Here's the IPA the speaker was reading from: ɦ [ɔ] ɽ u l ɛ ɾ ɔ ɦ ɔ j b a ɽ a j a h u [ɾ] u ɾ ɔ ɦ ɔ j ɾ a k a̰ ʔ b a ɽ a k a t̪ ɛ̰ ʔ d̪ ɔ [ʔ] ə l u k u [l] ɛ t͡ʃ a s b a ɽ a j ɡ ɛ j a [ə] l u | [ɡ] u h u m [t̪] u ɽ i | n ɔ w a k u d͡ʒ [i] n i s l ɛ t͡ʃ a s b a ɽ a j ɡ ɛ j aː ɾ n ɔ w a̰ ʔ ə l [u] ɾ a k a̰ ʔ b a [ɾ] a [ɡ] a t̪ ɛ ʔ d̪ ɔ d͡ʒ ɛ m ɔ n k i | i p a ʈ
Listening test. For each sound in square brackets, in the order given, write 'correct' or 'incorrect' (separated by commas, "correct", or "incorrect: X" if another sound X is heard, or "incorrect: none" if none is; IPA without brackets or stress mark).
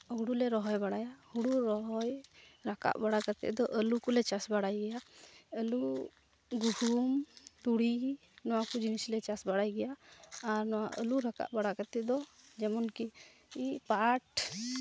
incorrect: u, incorrect: ɽ, correct, correct, correct, correct, correct, correct, correct, incorrect: ɽ, incorrect: k